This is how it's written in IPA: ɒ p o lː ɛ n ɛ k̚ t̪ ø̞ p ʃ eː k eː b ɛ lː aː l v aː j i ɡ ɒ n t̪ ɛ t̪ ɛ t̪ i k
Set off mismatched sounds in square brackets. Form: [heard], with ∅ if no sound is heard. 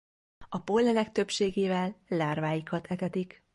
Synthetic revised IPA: ɒ p o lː ɛ n ɛ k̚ t̪ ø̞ p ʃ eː [ɡ] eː [v] ɛ lː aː [r] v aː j i [k] ɒ [∅] t̪ ɛ t̪ ɛ t̪ i k